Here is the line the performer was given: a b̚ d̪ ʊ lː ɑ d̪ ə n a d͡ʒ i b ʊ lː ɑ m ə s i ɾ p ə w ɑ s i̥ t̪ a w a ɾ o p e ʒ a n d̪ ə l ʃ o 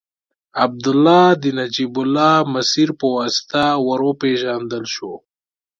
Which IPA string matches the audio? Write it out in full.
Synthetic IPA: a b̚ d̪ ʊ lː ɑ d̪ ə n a d͡ʒ i b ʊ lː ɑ m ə s i ɾ p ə w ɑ s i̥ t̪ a w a ɾ o p e ʒ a n d̪ ə l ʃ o